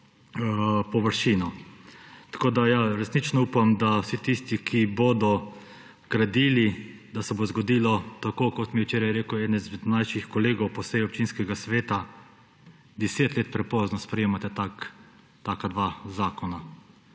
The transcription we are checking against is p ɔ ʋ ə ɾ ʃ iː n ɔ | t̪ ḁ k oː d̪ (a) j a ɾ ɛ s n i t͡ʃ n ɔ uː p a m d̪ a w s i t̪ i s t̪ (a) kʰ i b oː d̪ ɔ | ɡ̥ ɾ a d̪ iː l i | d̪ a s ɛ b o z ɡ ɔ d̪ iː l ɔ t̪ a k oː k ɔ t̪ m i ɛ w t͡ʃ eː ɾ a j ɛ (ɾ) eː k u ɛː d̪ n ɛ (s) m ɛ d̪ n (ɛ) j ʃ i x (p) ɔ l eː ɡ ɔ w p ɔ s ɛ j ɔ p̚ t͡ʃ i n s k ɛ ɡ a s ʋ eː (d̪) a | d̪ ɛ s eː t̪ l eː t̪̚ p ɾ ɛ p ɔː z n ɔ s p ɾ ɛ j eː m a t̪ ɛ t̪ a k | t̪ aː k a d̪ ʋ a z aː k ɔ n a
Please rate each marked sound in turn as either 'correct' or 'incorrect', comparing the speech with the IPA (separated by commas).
correct, incorrect, correct, incorrect, incorrect, incorrect, incorrect